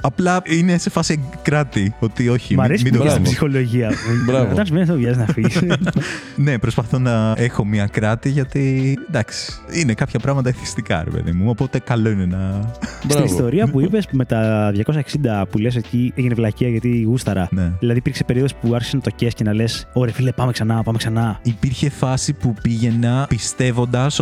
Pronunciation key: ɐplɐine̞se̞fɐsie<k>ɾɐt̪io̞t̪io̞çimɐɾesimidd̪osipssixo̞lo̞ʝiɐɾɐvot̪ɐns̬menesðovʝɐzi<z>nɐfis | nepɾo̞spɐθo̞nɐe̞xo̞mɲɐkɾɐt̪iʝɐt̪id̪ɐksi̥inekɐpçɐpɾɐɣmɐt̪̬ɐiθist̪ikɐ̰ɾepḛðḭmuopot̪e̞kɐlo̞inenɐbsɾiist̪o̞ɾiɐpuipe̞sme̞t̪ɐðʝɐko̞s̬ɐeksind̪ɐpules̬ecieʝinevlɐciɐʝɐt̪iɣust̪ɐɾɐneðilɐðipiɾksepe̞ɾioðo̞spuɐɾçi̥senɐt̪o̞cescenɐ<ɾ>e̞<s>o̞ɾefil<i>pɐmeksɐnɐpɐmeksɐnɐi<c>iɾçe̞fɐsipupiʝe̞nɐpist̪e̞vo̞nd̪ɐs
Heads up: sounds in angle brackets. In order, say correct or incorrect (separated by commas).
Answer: correct, correct, incorrect, correct, incorrect, incorrect